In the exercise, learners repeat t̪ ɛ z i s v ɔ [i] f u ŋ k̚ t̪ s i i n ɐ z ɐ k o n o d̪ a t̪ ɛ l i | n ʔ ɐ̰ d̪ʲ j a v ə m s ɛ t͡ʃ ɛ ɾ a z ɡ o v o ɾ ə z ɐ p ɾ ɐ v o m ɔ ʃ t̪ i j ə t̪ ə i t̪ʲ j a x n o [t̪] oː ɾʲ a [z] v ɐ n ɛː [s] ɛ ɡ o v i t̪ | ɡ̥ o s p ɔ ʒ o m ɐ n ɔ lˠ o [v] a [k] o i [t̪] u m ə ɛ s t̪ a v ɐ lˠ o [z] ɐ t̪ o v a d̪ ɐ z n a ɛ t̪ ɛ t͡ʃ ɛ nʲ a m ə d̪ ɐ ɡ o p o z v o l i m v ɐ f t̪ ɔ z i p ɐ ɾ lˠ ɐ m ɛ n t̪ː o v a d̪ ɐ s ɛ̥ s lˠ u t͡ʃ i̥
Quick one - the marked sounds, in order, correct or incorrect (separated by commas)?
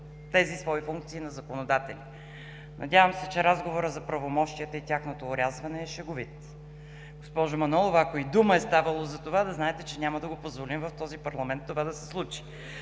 correct, correct, correct, incorrect, correct, correct, incorrect, correct